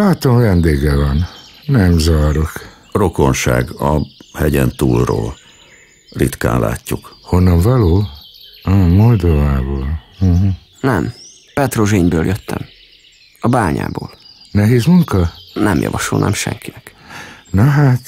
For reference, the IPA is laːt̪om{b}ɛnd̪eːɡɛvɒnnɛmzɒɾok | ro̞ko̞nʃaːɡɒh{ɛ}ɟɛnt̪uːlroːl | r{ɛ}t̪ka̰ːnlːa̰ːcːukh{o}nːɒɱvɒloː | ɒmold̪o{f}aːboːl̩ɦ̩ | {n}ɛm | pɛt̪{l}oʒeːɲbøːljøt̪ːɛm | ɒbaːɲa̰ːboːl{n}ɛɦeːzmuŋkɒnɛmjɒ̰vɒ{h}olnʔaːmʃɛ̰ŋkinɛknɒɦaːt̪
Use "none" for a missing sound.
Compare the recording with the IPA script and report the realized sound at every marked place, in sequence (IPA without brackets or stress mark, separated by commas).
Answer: v, ɛ, i, o, v, n, r, n, ʃ